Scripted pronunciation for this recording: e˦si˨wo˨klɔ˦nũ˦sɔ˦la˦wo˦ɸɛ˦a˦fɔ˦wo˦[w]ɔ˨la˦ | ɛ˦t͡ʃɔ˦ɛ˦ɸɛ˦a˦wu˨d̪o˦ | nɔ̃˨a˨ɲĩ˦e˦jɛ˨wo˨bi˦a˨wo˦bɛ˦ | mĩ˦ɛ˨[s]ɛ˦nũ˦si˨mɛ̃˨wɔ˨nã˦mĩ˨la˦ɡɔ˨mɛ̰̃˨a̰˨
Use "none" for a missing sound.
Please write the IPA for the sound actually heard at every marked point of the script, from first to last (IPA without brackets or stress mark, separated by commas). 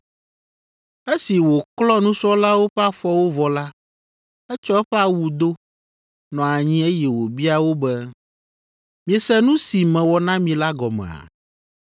v, s